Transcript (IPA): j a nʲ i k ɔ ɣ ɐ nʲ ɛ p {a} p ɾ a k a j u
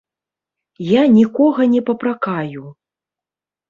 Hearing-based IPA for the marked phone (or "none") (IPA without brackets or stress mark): ɐ